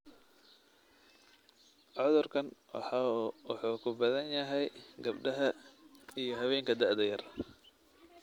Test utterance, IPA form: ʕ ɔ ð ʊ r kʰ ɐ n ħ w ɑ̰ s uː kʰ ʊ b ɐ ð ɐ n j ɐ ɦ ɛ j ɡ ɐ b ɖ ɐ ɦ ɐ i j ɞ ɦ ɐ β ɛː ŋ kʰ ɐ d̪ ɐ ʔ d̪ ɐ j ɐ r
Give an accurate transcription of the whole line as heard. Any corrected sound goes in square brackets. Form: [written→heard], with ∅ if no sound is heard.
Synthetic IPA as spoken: ʕ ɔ ð ʊ r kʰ ɐ n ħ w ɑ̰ [s→ħ] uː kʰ ʊ b ɐ ð ɐ n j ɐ ɦ ɛ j ɡ ɐ b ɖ ɐ ɦ ɐ i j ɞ ɦ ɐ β ɛː ŋ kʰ ɐ d̪ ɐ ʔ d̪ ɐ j ɐ r